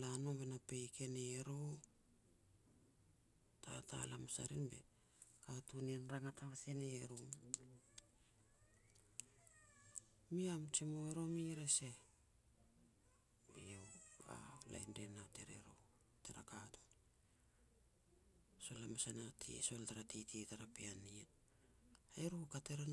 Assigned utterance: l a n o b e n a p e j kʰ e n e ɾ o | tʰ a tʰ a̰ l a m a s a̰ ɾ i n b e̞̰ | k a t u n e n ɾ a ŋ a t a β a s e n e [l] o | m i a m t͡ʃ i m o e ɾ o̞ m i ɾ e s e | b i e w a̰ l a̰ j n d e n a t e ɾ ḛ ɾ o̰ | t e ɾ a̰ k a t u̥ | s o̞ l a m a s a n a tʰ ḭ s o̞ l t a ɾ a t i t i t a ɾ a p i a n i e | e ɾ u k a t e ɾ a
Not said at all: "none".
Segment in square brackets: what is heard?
ɾ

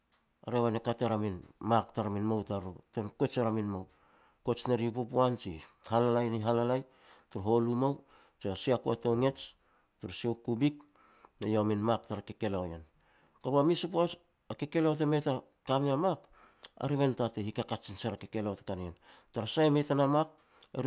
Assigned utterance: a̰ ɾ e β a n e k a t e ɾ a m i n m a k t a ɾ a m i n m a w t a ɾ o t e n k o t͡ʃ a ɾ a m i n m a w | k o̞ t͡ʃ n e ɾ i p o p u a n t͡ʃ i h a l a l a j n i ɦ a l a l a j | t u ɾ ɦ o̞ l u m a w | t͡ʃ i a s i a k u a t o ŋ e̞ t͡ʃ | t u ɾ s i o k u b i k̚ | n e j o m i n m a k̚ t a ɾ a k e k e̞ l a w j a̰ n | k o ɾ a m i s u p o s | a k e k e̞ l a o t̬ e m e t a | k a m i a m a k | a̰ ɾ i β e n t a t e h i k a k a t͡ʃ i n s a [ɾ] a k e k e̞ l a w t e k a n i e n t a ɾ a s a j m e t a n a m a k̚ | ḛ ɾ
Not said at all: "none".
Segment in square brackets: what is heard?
ɾ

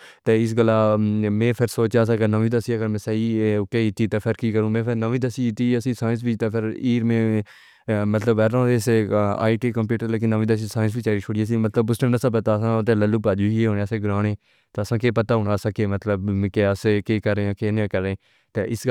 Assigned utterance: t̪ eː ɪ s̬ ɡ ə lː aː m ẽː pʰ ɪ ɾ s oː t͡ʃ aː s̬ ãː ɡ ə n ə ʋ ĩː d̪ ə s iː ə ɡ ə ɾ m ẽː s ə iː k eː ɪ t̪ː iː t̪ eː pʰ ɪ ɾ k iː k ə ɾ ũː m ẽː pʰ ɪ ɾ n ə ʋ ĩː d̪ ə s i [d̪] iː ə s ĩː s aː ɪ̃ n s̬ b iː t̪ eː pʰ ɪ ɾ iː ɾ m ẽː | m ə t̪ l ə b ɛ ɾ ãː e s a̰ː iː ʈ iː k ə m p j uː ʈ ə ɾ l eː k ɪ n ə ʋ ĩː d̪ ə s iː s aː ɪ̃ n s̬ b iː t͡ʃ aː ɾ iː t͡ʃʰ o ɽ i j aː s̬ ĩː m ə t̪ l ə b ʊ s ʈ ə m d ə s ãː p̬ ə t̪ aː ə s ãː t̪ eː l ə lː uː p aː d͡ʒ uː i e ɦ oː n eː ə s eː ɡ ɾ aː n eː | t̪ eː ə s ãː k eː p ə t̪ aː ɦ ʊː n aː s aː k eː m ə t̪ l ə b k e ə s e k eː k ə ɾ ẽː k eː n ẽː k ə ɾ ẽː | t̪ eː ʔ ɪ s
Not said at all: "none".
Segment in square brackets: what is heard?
t̪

